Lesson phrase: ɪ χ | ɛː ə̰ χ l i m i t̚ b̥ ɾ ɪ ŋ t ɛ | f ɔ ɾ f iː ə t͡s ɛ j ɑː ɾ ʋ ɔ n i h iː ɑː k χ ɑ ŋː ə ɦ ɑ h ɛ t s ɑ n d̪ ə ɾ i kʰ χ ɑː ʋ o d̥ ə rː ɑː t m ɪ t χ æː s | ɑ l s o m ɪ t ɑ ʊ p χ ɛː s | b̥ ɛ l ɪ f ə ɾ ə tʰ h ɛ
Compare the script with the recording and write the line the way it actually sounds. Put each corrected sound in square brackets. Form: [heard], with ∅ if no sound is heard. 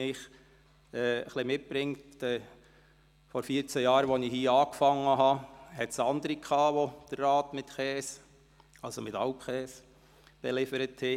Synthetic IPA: ɪ χ | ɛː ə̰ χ l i m [ɪ] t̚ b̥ ɾ ɪ ŋ t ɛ | f ɔ ɾ f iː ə t͡s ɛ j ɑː ɾ ʋ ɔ n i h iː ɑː k [f] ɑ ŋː ə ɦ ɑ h ɛ t s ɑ n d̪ ə ɾ i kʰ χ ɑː ʋ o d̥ ə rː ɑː t m ɪ t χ [ɛː] s | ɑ l s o m ɪ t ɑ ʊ p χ ɛː s | b̥ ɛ l ɪ f ə ɾ ə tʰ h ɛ

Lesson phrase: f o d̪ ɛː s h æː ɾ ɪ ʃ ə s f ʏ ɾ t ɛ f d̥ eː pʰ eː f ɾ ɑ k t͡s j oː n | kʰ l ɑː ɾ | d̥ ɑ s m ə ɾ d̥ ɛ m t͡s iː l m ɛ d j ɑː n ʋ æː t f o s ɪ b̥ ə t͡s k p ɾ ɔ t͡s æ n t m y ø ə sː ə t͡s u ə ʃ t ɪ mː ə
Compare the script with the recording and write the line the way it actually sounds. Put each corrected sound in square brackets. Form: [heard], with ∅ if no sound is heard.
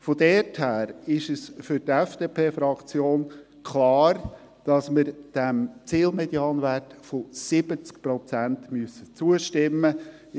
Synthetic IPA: f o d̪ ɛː [t] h æː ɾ ɪ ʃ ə s f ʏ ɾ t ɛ f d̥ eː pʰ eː f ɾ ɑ k t͡s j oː n | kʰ l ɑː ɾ | d̥ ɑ s m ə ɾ d̥ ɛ m t͡s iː l m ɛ d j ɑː n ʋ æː t f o s ɪ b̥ ə t͡s k p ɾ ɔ t͡s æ n t m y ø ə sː ə t͡s u ə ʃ t ɪ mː ə

